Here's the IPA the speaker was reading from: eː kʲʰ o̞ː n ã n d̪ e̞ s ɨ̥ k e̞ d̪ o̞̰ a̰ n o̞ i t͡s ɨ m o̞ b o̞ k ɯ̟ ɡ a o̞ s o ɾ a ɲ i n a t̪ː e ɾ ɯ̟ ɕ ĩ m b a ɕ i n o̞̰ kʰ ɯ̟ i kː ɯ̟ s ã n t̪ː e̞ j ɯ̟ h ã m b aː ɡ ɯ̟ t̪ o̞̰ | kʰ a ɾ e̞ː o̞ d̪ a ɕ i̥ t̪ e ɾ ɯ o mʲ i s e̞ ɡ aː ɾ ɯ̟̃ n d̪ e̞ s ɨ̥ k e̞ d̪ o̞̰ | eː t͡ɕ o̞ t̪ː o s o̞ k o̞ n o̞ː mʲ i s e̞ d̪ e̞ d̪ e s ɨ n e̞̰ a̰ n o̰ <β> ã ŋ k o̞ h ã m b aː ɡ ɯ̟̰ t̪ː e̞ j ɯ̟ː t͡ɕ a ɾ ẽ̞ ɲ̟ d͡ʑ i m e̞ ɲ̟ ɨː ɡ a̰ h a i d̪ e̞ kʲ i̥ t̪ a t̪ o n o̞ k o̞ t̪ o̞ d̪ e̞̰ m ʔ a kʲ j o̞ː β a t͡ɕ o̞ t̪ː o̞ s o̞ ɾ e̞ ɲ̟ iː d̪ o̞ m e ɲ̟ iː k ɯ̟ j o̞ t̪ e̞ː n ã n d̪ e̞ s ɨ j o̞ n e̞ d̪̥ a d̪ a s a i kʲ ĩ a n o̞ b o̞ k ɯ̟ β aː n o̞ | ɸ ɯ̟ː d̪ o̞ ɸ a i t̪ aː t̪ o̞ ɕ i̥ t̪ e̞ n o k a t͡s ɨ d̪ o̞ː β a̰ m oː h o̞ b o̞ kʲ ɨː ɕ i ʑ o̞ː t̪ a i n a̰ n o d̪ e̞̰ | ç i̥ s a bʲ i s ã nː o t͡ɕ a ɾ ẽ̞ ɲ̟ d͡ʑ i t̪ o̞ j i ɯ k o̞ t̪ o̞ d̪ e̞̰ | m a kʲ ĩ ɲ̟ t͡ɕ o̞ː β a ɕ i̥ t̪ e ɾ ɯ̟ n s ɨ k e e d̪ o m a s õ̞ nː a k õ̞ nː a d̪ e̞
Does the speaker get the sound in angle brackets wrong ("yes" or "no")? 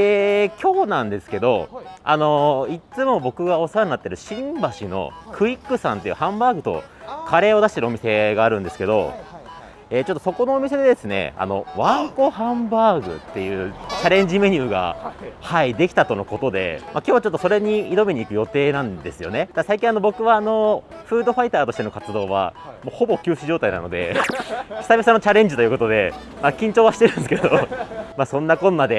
no